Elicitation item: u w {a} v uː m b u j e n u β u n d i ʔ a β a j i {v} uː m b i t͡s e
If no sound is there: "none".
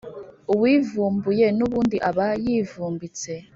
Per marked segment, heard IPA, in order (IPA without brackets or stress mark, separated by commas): i, v